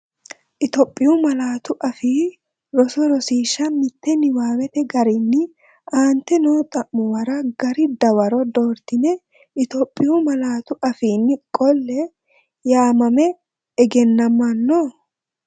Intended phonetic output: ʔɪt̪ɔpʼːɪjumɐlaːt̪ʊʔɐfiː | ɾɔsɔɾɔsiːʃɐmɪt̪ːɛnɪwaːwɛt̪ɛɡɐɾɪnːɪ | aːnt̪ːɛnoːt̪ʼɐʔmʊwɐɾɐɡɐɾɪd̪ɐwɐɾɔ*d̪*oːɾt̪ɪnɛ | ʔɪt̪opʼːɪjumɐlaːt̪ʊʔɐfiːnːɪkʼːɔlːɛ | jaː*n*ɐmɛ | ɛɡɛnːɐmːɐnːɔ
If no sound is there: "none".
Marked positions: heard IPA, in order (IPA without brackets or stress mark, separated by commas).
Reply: d̪, m